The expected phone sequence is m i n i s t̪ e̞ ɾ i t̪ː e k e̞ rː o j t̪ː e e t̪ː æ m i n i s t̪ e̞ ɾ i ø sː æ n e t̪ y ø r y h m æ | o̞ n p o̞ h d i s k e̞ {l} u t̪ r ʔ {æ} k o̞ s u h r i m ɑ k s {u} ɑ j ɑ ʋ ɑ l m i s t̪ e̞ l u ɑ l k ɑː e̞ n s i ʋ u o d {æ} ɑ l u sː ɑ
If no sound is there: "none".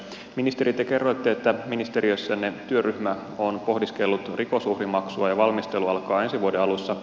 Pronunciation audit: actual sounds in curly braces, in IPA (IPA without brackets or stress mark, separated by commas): lː, i, u, e